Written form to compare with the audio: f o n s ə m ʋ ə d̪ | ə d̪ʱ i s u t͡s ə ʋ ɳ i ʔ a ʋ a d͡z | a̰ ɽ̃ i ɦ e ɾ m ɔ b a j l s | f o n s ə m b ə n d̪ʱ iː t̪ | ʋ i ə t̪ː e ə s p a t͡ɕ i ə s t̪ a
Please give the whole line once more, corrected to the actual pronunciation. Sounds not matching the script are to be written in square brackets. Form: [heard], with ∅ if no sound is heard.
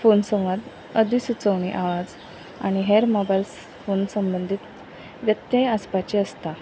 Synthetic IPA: f o n s ə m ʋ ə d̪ | ə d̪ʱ i s u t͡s ə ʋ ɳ i ʔ a ʋ a d͡z | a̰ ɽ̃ i ɦ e ɾ m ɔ b a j l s | f o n s ə m b ə n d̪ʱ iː t̪ | ʋ [j] ə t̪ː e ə s p a t͡ɕ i ə s t̪ a